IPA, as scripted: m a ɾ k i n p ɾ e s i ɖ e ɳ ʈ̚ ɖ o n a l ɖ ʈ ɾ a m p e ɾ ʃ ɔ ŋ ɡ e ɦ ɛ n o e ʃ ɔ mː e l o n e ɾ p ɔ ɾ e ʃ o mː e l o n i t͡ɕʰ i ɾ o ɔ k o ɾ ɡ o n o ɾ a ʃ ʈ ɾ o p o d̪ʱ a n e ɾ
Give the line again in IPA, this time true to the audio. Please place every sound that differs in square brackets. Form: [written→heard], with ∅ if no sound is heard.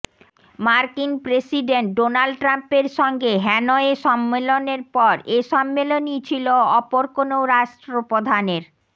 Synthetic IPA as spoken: m a ɾ k i n p ɾ e s i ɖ e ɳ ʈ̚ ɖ o n a l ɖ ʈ ɾ a m p e ɾ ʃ ɔ ŋ ɡ e ɦ ɛ n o e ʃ ɔ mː e l o n e ɾ p ɔ ɾ e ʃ [o→ɔ] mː e l o n i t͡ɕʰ i [ɾ→l] o ɔ [k→p] o ɾ [ɡ→k] o n o ɾ a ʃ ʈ ɾ o p o d̪ʱ a n e ɾ